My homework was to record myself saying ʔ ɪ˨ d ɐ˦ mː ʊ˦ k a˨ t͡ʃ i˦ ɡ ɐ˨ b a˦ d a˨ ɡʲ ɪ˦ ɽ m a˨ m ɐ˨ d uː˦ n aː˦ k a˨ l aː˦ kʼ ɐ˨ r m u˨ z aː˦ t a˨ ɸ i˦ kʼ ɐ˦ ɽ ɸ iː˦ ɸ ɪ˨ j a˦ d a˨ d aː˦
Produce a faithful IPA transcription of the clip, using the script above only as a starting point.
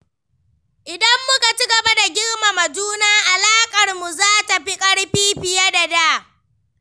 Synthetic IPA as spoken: ʔ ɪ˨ d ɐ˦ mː ʊ˦ k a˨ t͡ʃ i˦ ɡ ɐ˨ b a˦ d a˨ ɡʲ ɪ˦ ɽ m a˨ m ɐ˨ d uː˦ n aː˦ ʔ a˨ l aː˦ kʼ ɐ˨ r m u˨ z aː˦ t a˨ ɸ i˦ kʼ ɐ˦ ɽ ɸ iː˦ ɸ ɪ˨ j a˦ d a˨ d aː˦